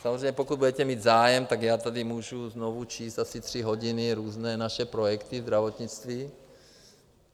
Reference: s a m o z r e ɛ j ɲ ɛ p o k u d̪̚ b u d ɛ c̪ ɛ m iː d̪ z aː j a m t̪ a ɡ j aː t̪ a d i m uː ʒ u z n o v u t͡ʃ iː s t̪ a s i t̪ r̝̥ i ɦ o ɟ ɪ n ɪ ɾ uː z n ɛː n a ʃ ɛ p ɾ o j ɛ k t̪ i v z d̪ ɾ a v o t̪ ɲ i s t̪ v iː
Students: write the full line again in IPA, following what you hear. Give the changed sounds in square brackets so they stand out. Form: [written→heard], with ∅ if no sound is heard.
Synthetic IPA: s a m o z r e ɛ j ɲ ɛ p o k u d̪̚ b u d ɛ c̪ ɛ m iː d̪ z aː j [a→ɛ] m t̪ a ɡ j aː t̪ a d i m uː ʒ u z n o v u t͡ʃ iː s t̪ a s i t̪ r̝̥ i ɦ o ɟ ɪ n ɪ ɾ uː z n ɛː n a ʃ ɛ p ɾ o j ɛ k t̪ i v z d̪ ɾ a v o t̪ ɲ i [s→t͡s] t̪ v iː